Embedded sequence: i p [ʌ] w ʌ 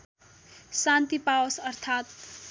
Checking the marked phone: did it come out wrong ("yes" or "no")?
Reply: yes